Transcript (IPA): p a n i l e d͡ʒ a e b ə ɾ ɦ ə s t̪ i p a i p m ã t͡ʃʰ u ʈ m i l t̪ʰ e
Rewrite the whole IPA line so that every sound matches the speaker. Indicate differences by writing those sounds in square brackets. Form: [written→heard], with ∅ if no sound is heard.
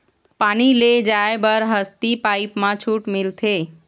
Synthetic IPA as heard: p a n i l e d͡ʒ a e b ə ɾ ɦ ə s t̪ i p a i p m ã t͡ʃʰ u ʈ m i l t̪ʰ e

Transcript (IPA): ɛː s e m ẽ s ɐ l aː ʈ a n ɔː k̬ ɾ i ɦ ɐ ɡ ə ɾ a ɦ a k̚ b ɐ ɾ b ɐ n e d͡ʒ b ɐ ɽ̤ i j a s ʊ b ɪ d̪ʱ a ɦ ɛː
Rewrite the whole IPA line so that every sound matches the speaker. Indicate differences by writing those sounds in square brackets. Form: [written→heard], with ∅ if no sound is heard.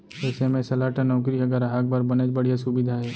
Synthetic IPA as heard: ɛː s e m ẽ s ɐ l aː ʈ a n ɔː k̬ ɾ i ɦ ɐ ɡ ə ɾ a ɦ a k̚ b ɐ ɾ b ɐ n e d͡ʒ b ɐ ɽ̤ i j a s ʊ b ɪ d̪ʱ a ɦ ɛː

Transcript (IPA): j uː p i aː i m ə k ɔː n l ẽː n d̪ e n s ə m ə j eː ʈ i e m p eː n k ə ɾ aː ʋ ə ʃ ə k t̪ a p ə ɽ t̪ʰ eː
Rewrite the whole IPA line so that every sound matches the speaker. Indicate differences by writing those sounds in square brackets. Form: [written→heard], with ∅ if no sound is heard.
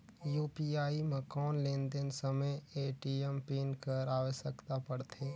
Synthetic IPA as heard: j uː p i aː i m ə k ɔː n l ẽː n d̪ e n s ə m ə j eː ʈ i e m p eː n k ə ɾ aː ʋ ə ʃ ə k t̪ a p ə ɽ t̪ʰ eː

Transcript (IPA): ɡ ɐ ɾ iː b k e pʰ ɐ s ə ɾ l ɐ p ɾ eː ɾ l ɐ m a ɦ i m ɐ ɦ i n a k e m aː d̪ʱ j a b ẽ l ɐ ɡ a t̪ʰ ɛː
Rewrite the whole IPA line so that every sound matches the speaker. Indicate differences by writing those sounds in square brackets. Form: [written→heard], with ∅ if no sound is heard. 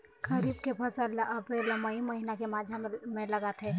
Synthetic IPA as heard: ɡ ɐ ɾ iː b k e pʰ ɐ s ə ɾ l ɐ p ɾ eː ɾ l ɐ m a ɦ i m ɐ ɦ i n a k e m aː d̪ʱ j a [b→m] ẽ l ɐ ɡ a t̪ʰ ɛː

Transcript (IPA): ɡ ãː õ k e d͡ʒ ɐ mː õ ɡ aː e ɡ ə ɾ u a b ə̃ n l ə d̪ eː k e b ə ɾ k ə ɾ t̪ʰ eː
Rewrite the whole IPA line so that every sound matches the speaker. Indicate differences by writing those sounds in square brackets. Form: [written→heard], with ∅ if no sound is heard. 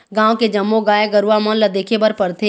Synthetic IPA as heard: ɡ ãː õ k e d͡ʒ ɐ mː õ ɡ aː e ɡ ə ɾ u a [b→m] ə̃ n l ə d̪ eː [k→kʰ] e b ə ɾ [k→p] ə ɾ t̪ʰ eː

